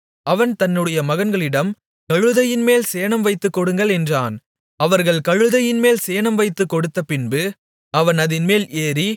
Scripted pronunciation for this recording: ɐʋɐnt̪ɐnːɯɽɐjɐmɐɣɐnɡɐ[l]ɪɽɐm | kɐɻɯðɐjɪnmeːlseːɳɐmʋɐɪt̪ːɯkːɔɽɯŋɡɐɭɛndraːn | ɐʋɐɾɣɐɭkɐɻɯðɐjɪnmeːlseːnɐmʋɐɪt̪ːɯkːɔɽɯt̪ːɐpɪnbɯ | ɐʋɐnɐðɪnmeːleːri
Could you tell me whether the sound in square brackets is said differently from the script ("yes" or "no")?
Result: yes